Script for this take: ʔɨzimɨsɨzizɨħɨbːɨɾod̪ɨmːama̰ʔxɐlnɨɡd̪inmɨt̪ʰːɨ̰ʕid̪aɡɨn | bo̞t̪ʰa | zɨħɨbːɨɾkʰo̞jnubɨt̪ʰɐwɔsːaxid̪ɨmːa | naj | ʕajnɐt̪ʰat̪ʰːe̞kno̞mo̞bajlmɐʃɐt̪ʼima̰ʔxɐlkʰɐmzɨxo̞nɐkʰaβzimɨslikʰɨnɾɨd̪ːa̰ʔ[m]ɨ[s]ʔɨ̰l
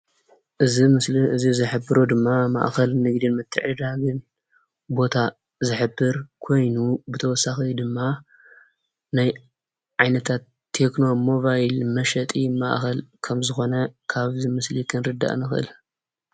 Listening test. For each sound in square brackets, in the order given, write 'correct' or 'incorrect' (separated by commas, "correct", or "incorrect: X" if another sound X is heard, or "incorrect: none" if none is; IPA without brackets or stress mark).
incorrect: n, incorrect: x